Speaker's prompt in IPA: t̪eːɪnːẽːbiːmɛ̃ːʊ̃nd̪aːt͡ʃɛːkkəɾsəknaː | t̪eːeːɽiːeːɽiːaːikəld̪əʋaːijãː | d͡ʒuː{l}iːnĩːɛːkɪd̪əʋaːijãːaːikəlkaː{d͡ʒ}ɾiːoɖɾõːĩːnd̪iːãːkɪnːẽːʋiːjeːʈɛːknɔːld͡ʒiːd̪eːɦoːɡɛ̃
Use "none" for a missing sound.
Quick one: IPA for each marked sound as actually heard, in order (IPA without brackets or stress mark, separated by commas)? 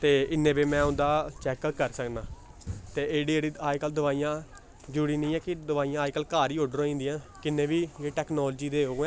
ɽ, none